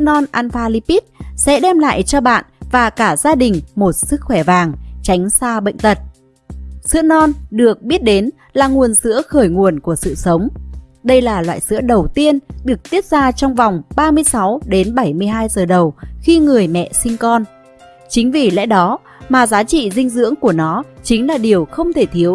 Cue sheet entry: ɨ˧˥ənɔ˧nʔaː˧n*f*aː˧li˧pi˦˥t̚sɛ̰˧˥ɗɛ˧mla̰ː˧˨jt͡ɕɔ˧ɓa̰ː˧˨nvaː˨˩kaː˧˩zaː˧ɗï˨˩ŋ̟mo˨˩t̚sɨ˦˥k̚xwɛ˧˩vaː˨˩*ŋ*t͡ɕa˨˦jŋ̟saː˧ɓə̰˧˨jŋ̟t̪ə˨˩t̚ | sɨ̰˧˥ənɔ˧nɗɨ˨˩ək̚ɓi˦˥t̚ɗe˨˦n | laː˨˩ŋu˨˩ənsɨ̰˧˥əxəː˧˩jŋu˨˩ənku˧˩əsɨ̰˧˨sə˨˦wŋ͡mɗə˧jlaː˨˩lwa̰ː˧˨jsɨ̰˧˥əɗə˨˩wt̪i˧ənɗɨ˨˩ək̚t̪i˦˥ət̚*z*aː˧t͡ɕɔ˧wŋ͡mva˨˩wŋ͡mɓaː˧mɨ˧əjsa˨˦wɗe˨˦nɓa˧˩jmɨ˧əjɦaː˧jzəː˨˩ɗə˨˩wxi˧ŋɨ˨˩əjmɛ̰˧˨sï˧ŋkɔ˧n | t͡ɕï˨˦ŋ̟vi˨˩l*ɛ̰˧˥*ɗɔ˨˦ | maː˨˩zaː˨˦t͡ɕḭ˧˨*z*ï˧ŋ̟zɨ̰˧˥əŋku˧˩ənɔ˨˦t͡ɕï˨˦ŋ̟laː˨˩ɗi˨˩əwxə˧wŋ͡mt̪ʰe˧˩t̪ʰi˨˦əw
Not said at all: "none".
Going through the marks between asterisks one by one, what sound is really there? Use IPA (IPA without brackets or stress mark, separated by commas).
f, ŋ, z, ɛ̰˧˥, z